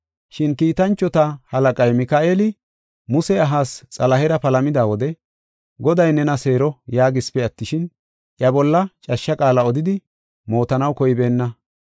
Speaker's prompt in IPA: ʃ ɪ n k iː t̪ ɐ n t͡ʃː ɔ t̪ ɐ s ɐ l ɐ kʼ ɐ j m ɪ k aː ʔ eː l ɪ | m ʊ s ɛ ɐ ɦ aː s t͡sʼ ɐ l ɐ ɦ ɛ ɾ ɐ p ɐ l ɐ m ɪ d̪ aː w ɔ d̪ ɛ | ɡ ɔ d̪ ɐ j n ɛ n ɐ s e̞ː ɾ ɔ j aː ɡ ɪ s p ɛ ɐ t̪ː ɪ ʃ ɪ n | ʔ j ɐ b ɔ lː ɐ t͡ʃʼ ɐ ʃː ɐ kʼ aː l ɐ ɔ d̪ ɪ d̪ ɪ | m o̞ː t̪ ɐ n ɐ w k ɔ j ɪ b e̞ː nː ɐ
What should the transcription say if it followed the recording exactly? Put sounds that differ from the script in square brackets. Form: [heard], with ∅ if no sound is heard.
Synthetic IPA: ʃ ɪ n k iː t̪ ɐ n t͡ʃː ɔ t̪ ɐ [h] ɐ l ɐ kʼ ɐ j m ɪ k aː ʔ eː l ɪ | m ʊ s ɛ ɐ ɦ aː s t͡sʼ ɐ l ɐ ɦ ɛ ɾ ɐ p ɐ l ɐ m ɪ d̪ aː w ɔ d̪ ɛ | ɡ ɔ d̪ ɐ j n ɛ n ɐ s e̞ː ɾ ɔ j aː ɡ ɪ s p ɛ ɐ t̪ː ɪ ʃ ɪ n | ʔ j ɐ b ɔ lː ɐ t͡ʃʼ ɐ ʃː ɐ kʼ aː l ɐ ɔ d̪ ɪ d̪ ɪ | m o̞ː t̪ ɐ n ɐ w k ɔ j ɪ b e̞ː nː ɐ

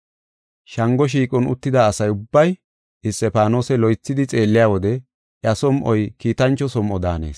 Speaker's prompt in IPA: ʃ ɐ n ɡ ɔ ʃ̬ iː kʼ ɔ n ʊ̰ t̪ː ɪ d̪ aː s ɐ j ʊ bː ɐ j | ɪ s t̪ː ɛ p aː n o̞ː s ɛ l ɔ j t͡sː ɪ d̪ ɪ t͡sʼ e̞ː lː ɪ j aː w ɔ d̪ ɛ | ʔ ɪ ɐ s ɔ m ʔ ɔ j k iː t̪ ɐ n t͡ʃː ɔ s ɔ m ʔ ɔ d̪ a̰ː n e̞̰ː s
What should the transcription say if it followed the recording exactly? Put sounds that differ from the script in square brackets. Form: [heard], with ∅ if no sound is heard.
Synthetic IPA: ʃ ɐ [ŋ] ɡ ɔ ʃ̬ iː kʼ ɔ n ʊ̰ t̪ː ɪ d̪ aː s ɐ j ʊ bː ɐ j | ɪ s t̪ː ɛ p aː n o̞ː s ɛ l ɔ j t͡sː ɪ d̪ ɪ t͡sʼ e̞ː lː ɪ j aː w ɔ d̪ ɛ | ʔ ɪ ɐ s ɔ m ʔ ɔ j k iː t̪ ɐ n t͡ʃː ɔ s ɔ m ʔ ɔ d̪ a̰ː n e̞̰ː s

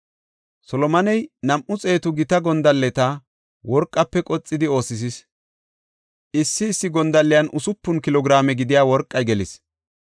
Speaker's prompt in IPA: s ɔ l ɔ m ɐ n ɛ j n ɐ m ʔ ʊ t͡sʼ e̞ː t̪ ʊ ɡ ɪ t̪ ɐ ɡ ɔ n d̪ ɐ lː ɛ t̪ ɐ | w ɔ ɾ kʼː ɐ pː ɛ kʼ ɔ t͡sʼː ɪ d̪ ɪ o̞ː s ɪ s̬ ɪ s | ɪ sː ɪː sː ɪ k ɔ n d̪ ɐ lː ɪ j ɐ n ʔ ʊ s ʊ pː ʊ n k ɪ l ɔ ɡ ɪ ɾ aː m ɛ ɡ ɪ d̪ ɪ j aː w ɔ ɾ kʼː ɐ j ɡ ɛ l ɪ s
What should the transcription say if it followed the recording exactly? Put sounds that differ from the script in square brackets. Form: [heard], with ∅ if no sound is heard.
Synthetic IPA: s ɔ l ɔ m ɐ n ɛ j n ɐ m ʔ ʊ t͡sʼ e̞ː t̪ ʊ ɡ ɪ t̪ ɐ ɡ ɔ n d̪ ɐ lː ɛ t̪ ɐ | w ɔ ɾ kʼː ɐ pː ɛ kʼ ɔ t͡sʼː ɪ d̪ ɪ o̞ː s ɪ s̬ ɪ s | ɪ sː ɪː sː ɪ [ɡ] ɔ n d̪ ɐ lː ɪ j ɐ n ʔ ʊ s ʊ pː ʊ n k ɪ l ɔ ɡ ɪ ɾ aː m ɛ ɡ ɪ d̪ ɪ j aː w ɔ ɾ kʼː ɐ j ɡ ɛ l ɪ s

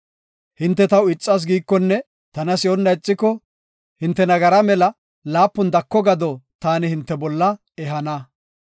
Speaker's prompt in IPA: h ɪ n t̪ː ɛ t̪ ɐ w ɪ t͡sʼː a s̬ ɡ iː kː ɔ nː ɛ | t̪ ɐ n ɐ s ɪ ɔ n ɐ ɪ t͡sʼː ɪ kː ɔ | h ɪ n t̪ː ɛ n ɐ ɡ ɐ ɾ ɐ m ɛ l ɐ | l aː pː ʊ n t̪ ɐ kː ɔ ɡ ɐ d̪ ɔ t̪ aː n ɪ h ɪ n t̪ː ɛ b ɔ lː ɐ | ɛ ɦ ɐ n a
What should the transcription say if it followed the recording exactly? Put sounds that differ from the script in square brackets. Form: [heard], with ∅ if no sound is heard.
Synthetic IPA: h ɪ n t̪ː ɛ t̪ ɐ w ɪ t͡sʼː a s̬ ɡ iː kː ɔ nː ɛ | t̪ ɐ n ɐ s ɪ ɔ [nː] ɐ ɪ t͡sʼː ɪ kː ɔ | h ɪ n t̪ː ɛ n ɐ ɡ ɐ ɾ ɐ m ɛ l ɐ | l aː pː ʊ n [d̪] ɐ kː ɔ ɡ ɐ d̪ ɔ t̪ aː n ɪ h ɪ n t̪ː ɛ b ɔ lː ɐ | ɛ ɦ ɐ n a

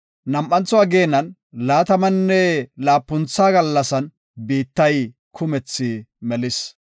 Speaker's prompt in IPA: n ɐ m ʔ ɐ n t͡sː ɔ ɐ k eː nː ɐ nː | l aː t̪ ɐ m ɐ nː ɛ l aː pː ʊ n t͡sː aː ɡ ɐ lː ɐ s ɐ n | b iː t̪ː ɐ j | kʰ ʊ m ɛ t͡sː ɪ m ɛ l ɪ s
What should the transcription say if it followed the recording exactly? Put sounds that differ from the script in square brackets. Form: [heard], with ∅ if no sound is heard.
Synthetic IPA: n ɐ m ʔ ɐ n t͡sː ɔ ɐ [ɡ] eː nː ɐ [n] | l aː t̪ ɐ m ɐ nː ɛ l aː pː ʊ n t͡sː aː ɡ ɐ lː ɐ s ɐ n | b iː t̪ː ɐ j | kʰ ʊ m ɛ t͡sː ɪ m ɛ l ɪ s

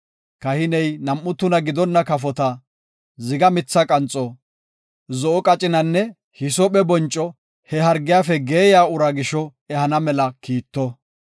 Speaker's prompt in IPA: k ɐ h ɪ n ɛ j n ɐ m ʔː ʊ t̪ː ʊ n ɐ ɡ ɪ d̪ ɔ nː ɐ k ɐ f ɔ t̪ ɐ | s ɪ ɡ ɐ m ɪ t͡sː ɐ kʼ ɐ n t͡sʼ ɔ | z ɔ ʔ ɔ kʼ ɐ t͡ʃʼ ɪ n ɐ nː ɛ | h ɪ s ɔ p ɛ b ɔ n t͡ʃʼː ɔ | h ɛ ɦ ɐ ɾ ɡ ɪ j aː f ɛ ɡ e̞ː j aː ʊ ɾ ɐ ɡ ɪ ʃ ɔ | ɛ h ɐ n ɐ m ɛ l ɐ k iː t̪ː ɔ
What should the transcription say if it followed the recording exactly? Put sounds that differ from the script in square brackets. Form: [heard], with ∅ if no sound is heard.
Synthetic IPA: k ɐ h ɪ n ɛ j n ɐ m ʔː ʊ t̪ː ʊ n ɐ ɡ ɪ d̪ ɔ nː ɐ k ɐ f ɔ t̪ ɐ | [z] ɪ ɡ ɐ m ɪ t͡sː ɐ kʼ ɐ n t͡sʼ ɔ | z ɔ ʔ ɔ kʼ ɐ t͡ʃʼ ɪ n ɐ nː ɛ | h ɪ s ɔ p ɛ b ɔ n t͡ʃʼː ɔ | h ɛ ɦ ɐ ɾ ɡ ɪ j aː f ɛ ɡ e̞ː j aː ʊ ɾ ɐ ɡ ɪ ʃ ɔ | ɛ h ɐ n ɐ m ɛ l ɐ k iː t̪ː ɔ

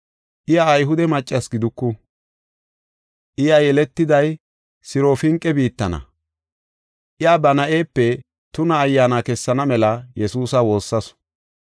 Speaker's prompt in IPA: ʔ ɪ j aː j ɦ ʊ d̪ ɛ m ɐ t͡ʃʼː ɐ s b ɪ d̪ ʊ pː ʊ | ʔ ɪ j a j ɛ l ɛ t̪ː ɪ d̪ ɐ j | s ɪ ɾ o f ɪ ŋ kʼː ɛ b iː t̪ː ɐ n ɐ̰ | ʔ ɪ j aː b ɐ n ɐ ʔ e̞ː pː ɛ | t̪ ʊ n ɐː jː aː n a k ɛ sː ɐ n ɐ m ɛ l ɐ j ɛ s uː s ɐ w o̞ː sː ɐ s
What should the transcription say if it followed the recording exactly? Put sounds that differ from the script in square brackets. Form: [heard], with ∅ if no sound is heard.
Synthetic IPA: ʔ ɪ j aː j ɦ ʊ d̪ ɛ m ɐ t͡ʃʼː ɐ s [ɡ] ɪ d̪ ʊ [kː] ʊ | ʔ ɪ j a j ɛ l ɛ t̪ː ɪ d̪ ɐ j | s ɪ ɾ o f ɪ ŋ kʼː ɛ b iː t̪ː ɐ n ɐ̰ | ʔ ɪ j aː b ɐ n ɐ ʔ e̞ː pː ɛ | t̪ ʊ n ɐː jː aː n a k ɛ sː ɐ n ɐ m ɛ l ɐ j ɛ s uː s ɐ w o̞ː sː ɐ s

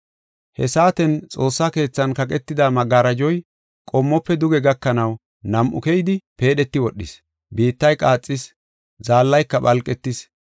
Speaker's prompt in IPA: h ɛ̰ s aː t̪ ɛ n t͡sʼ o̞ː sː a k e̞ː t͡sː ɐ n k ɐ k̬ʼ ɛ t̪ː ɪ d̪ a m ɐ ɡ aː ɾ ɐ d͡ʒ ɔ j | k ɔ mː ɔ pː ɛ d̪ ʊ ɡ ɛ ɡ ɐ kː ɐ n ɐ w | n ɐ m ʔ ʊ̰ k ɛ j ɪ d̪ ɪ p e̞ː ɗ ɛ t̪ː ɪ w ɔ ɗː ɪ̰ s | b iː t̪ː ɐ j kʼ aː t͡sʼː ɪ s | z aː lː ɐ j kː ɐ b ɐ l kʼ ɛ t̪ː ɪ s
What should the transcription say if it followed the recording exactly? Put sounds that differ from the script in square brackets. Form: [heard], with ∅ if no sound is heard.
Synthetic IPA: h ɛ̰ s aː t̪ ɛ n t͡sʼ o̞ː sː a k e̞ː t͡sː ɐ n k ɐ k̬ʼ ɛ t̪ː ɪ d̪ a m ɐ ɡ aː ɾ ɐ d͡ʒ ɔ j | [kʼ] ɔ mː ɔ pː ɛ d̪ ʊ ɡ ɛ ɡ ɐ kː ɐ n ɐ w | n ɐ m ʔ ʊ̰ k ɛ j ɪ d̪ ɪ p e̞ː ɗ ɛ t̪ː ɪ w ɔ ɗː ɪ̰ s | b iː t̪ː ɐ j kʼ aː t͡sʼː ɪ s | z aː lː ɐ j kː ɐ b ɐ l kʼ ɛ t̪ː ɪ s

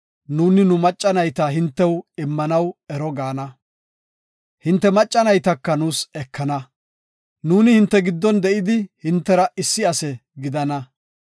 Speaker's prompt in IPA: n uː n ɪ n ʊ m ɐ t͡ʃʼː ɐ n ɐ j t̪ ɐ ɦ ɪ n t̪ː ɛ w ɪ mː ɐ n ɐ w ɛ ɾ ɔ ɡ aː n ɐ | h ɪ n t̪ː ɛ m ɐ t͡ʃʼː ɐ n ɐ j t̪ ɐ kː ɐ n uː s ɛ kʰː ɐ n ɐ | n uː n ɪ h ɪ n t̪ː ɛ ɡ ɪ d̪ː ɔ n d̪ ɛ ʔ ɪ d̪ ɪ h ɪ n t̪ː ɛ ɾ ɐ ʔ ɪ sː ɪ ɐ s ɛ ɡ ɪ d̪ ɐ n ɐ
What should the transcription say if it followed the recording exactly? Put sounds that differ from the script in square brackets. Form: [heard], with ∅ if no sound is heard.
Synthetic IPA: n uː n ɪ n ʊ m ɐ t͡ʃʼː ɐ n ɐ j t̪ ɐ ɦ ɪ n t̪ː ɛ w ɪ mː ɐ n ɐ w ɛ ɾ ɔ ɡ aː n ɐ | h ɪ n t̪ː ɛ m ɐ t͡ʃʼː ɐ n ɐ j t̪ ɐ kː ɐ n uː s ɛ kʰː ɐ n ɐ | n uː n ɪ h ɪ n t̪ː ɛ ɡ ɪ d̪ː ɔ n d̪ ɛ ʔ ɪ d̪ ɪ h ɪ n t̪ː ɛ ɾ ɐ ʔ ɪ sː ɪ ɐ s ɛ ɡ ɪ d̪ ɐ n ɐ

